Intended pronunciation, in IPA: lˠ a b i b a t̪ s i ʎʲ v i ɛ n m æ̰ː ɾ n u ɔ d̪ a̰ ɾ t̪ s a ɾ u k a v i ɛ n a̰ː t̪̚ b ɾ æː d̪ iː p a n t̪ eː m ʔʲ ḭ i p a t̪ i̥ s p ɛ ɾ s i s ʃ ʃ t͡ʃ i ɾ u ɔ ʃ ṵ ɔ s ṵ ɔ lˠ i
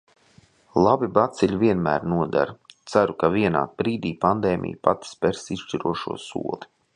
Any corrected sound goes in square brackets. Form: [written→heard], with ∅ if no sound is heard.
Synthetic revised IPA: lˠ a b i b a t̪ s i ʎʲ v i ɛ n m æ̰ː ɾ n u ɔ d̪ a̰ ɾ t̪ s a ɾ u k a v i ɛ n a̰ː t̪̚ b ɾ [æː→iː] d̪ iː p a n [t̪→d̪] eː m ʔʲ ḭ [i→j] p a t̪ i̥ s p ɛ ɾ s i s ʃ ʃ t͡ʃ i ɾ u ɔ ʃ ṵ ɔ s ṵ ɔ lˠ i